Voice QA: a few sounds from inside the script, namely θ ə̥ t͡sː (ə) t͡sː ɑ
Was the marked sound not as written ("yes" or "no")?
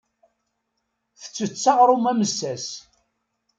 no